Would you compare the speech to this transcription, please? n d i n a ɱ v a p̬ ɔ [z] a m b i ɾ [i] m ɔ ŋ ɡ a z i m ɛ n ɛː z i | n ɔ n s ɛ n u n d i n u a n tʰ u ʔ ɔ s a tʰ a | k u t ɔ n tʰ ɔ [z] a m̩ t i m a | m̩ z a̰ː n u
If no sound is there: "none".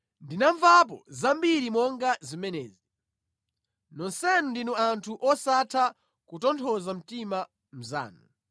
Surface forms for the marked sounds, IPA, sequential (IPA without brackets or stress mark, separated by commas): z, i, z